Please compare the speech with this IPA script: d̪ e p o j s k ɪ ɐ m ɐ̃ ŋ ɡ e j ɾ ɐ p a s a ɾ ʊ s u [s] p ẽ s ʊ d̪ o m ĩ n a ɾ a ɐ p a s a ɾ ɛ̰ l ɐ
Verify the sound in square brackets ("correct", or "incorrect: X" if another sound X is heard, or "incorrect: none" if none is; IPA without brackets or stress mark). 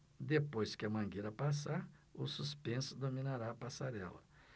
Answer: correct